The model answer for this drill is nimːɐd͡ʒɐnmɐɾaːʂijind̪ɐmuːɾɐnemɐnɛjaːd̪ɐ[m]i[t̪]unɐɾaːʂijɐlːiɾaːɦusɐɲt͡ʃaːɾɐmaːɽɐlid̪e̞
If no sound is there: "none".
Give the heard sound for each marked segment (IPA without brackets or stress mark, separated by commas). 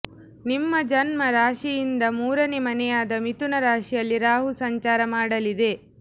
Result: m, t̪